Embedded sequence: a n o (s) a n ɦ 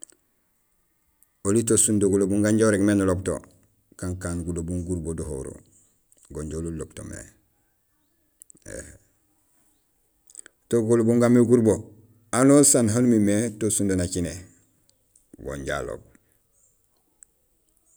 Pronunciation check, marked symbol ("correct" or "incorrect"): correct